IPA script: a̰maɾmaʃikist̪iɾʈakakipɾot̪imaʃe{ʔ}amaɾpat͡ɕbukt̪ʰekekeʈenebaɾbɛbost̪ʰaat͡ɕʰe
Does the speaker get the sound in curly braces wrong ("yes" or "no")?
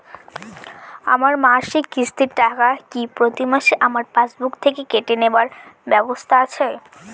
no